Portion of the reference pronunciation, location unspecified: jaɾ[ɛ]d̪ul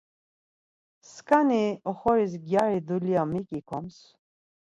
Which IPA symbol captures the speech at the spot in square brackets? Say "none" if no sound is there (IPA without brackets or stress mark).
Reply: i